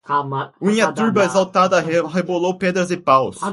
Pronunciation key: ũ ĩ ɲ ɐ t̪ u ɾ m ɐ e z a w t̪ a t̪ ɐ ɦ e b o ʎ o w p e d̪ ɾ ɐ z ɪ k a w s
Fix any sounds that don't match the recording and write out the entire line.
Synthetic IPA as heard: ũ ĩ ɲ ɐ t̪ u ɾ b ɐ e z a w t̪ a d̪ ɐ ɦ e b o l o w p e d̪ ɾ ɐ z ɪ p a w s